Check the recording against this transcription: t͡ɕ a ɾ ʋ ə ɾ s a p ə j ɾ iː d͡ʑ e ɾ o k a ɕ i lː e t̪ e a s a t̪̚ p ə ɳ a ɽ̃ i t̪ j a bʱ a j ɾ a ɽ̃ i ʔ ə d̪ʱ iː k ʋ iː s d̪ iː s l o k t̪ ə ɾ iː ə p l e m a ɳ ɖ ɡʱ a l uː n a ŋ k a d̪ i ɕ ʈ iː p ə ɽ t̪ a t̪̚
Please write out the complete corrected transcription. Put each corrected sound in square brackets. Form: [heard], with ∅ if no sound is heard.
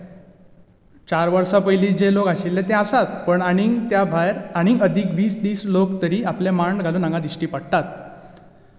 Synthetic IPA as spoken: t͡ɕ a ɾ ʋ ə ɾ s a p ə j [l] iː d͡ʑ e [l] o k a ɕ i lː e t̪ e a s a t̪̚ p ə ɳ a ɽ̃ i t̪ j a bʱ a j ɾ a ɽ̃ i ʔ ə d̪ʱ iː k ʋ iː s d̪ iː s l o k t̪ ə ɾ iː [a] p l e m a ɳ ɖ ɡʱ a l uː n a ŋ [ɡ] a d̪ i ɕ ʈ iː p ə ɽ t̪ a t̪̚